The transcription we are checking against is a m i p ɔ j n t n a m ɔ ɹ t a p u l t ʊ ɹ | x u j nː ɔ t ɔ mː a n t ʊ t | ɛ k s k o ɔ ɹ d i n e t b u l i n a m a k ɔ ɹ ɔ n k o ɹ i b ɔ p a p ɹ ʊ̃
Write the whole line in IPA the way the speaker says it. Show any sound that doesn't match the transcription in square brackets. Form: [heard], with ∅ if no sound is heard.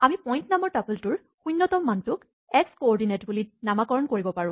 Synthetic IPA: a m i p ɔ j n t n a m ɔ ɹ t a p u l t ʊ ɹ | x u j nː ɔ t ɔ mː a n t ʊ [k] | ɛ k s k o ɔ ɹ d i n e t b u l i n a m a k ɔ ɹ ɔ n k o ɹ i b ɔ p a [∅] ɹ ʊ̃